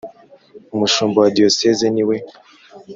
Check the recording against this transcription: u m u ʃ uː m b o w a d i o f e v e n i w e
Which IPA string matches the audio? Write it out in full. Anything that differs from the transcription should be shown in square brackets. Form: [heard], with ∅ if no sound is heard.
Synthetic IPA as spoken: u m u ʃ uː m b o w a d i o [s] e [z] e n i w e